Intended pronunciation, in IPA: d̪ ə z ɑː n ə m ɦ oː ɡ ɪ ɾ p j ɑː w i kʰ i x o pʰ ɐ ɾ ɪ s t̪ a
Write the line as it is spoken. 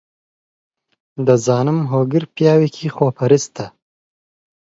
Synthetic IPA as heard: d̪ ə z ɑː n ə m ɦ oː ɡ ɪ ɾ p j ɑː w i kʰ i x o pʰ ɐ ɾ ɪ s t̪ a